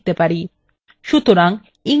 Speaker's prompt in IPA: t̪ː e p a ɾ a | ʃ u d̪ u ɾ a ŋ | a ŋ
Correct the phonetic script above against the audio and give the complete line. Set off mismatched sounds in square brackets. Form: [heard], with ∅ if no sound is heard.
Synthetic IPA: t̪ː e p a ɾ [i] | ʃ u [t̪] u ɾ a ŋ | [i] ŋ